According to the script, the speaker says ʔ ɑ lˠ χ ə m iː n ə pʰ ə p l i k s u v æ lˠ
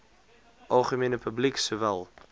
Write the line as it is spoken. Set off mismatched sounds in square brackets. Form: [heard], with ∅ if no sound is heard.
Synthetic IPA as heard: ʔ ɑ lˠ χ ə m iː n ə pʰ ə [b] l i k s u v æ lˠ